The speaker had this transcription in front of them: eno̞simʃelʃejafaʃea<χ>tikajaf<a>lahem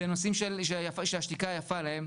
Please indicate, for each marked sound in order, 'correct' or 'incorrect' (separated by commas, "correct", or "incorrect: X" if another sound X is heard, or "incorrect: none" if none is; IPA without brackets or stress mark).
incorrect: ʃ, correct